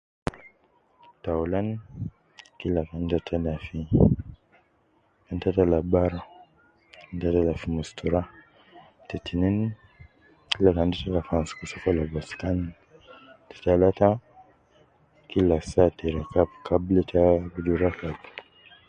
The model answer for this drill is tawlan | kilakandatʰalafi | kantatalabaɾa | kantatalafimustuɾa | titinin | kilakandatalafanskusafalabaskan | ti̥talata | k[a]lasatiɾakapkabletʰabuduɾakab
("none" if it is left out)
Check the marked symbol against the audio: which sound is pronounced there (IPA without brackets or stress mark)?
i